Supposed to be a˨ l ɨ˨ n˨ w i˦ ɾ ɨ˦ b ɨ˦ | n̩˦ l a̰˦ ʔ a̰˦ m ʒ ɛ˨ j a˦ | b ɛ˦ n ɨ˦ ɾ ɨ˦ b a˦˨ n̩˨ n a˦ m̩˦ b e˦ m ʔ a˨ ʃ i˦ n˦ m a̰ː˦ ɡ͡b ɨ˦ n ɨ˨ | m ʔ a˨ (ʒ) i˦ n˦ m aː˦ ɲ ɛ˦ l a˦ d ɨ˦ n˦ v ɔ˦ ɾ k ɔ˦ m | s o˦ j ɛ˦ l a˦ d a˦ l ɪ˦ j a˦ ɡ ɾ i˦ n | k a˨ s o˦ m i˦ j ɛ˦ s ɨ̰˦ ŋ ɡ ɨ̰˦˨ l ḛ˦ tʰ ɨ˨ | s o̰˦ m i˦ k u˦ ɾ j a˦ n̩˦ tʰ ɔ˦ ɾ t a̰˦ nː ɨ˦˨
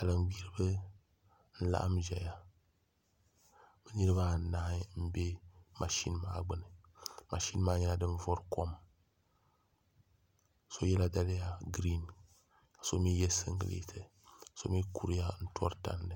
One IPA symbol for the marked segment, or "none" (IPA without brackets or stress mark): ʃ